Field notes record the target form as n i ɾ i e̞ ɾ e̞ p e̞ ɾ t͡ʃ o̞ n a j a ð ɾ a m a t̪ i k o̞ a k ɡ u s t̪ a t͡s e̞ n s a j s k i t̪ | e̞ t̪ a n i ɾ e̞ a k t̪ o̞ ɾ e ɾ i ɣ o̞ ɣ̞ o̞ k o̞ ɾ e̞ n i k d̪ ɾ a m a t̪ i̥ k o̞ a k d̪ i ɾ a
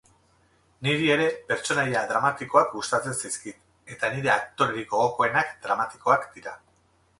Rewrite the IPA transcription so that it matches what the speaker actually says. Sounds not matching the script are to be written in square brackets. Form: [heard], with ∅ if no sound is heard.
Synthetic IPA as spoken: n i ɾ i e̞ ɾ e̞ p e̞ ɾ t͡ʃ o̞ n a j a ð ɾ a m a t̪ i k o̞ a k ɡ u s t̪ a t͡s e̞ n s a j s k i t̪ | e̞ t̪ a n i ɾ e̞ a k t̪ o̞ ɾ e ɾ i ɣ o̞ ɣ̞ o̞ k o̞ [∅] e̞ n [a] k d̪ ɾ a m a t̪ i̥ k o̞ a k d̪ i ɾ a